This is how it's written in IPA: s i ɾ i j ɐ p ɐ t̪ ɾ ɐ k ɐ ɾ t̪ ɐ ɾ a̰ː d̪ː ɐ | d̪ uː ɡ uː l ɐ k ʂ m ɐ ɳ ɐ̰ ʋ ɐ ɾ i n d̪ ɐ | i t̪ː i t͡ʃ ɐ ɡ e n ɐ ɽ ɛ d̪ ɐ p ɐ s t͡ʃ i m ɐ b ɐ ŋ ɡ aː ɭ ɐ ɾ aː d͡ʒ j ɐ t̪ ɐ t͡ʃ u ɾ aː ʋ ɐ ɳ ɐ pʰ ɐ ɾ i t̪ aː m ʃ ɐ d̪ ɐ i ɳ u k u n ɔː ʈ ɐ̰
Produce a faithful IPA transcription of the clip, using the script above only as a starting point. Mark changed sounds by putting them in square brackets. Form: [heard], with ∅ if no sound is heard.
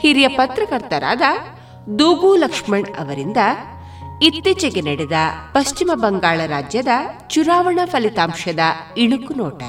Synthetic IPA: [h] i ɾ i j ɐ p ɐ t̪ ɾ ɐ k ɐ ɾ t̪ ɐ ɾ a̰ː [d̪] ɐ | d̪ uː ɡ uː l ɐ k ʂ m ɐ ɳ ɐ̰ ʋ ɐ ɾ i n d̪ ɐ | i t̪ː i t͡ʃ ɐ ɡ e n ɐ ɽ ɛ d̪ ɐ p ɐ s t͡ʃ i m ɐ b ɐ ŋ ɡ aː ɭ ɐ ɾ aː d͡ʒ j ɐ [d̪] ɐ t͡ʃ u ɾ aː ʋ ɐ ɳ ɐ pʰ ɐ [l] i t̪ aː m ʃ ɐ d̪ ɐ i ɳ u k u n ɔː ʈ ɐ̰